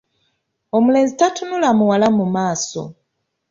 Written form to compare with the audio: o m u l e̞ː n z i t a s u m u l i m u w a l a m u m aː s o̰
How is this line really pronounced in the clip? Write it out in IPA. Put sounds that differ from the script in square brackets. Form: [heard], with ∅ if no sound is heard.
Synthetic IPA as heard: o m u l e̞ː n z i t a [t] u [n] u l [a] m u w a l a m u m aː s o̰